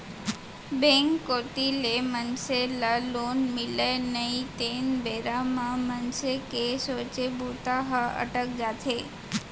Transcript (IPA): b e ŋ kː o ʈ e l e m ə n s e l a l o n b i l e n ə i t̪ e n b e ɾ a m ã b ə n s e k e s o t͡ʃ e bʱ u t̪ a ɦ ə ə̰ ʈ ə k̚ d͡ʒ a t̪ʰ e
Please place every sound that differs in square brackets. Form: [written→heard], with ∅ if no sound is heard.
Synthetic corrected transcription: b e ŋ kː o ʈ [e→i] l e m ə n s e l a l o n [b→m] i l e n ə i t̪ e n b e ɾ a m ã [b→m] ə n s e k e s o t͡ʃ e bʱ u t̪ a ɦ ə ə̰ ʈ ə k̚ d͡ʒ a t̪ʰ e